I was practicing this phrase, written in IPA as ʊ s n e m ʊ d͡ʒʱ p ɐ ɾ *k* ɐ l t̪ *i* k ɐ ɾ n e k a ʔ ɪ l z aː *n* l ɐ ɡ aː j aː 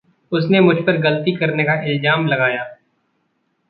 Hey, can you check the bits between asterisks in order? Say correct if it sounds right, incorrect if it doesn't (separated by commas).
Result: incorrect, correct, incorrect